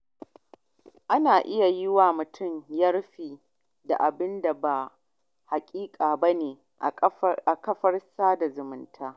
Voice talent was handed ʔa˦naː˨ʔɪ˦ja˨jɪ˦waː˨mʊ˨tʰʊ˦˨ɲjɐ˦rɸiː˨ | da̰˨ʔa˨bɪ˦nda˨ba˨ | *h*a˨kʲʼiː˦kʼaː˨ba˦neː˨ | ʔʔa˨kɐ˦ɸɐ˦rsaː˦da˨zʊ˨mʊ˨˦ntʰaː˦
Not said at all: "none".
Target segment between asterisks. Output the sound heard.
h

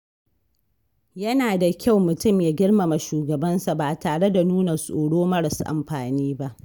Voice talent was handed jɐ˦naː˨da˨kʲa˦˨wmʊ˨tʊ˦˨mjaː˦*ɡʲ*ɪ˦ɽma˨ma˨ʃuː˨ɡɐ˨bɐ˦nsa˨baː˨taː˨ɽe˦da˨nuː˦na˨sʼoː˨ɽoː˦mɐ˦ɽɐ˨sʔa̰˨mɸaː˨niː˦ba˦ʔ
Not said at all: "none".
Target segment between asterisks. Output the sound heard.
ɡʲ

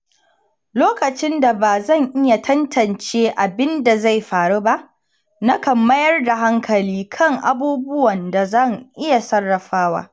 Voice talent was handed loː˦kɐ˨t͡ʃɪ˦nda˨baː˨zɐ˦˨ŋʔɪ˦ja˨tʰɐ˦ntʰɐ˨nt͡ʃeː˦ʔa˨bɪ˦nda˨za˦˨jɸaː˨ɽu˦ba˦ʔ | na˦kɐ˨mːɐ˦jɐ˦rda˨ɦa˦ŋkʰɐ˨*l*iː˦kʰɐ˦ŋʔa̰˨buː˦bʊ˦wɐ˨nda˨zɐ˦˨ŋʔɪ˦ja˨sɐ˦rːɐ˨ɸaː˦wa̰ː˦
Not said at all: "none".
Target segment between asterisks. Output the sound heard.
l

